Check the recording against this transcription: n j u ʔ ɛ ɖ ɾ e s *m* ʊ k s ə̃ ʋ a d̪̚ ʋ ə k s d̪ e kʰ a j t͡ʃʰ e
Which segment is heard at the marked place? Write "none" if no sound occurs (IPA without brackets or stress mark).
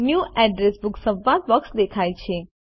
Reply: b